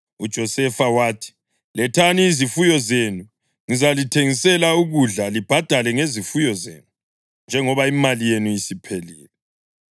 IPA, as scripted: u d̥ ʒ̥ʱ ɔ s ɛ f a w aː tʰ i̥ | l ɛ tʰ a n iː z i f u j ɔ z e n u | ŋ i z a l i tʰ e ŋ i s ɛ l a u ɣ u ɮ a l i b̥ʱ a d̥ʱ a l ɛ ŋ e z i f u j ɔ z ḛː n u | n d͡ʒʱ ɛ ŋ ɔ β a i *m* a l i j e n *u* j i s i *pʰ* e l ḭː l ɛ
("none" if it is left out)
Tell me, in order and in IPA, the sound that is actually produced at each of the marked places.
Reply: m, u, pʰ

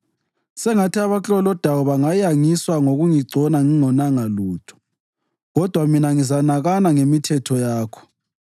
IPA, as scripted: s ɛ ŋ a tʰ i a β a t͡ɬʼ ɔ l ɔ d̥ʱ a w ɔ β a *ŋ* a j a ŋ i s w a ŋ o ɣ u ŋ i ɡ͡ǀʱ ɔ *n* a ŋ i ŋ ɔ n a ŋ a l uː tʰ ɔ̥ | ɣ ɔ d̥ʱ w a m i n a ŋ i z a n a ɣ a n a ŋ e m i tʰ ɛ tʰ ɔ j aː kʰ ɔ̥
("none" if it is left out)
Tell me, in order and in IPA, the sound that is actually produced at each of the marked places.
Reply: ŋ, n

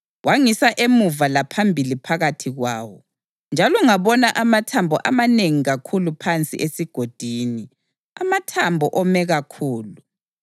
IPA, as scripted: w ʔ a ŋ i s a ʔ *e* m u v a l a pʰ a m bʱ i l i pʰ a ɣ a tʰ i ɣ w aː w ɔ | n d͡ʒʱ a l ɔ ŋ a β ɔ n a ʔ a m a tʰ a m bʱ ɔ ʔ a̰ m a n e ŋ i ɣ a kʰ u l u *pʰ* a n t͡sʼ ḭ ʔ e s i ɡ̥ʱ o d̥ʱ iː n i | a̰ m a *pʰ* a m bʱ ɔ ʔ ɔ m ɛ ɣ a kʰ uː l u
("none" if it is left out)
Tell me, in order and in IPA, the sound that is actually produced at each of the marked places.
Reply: e, pʰ, tʰ

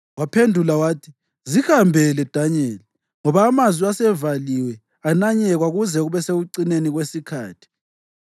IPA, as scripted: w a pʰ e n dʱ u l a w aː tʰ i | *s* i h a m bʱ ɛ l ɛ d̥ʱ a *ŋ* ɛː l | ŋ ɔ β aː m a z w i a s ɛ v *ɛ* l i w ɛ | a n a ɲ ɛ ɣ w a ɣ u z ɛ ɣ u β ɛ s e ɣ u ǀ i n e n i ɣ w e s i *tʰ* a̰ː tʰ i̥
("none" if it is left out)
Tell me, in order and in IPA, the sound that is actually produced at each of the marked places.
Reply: z, ɲ, a, kʰ

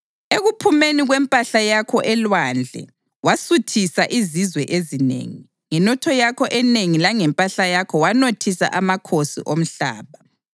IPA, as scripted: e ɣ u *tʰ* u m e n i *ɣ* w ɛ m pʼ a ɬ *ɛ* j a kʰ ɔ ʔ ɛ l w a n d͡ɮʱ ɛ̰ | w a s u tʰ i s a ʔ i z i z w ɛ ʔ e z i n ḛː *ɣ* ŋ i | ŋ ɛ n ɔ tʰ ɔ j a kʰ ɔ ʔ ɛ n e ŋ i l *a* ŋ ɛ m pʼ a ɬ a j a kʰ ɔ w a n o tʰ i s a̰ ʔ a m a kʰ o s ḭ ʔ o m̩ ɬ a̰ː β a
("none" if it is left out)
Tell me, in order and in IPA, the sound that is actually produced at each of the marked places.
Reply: pʰ, ɣ, a, none, a

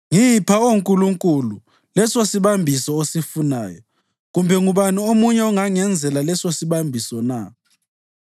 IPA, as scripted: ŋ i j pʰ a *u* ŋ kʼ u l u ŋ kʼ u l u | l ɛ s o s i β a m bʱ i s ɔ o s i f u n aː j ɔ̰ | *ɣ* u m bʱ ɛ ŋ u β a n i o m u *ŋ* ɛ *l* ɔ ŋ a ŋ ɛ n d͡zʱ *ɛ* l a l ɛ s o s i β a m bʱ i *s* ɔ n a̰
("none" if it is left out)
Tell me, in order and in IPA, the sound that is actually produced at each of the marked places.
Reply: o, ɣ, ɲ, none, ɛ, s

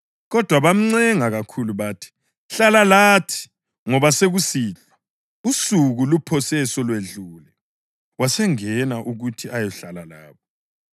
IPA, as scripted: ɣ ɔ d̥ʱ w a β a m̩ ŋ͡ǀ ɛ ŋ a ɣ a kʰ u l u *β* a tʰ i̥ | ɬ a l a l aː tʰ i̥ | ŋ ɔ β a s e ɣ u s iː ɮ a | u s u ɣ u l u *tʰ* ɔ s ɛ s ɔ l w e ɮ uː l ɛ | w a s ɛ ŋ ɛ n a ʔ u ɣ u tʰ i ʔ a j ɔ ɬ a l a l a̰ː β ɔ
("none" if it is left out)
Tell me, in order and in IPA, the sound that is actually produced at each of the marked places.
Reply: β, pʰ

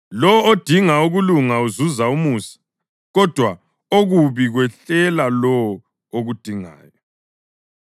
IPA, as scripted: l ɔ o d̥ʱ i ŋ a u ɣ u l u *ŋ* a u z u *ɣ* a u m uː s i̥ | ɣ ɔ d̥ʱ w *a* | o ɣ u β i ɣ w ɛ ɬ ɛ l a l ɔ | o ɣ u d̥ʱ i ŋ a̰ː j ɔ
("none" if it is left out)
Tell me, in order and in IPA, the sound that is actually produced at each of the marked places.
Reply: ŋ, z, a

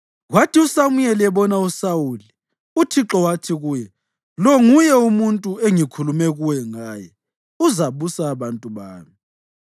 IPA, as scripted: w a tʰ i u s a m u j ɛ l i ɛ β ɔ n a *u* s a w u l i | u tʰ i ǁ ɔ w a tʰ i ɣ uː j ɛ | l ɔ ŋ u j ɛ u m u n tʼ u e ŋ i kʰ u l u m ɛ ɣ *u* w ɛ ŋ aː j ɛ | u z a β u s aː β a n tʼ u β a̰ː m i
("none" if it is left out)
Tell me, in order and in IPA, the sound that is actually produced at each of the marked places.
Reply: u, u

